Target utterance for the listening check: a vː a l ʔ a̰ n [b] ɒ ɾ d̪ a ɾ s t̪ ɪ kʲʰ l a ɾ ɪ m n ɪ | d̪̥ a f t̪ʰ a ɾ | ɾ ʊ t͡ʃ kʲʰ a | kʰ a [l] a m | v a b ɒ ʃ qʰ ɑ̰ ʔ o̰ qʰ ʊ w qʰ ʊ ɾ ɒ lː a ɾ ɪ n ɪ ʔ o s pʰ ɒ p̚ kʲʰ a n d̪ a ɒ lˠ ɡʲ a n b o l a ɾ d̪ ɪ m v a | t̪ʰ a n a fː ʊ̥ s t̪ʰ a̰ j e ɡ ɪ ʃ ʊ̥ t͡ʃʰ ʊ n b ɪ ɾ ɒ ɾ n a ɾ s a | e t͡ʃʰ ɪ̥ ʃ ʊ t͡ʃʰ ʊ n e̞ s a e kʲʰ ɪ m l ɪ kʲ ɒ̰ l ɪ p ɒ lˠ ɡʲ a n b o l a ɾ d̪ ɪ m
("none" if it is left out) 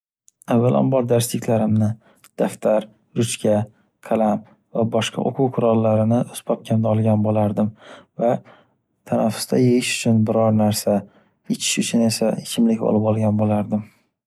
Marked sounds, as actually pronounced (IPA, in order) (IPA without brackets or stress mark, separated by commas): b, l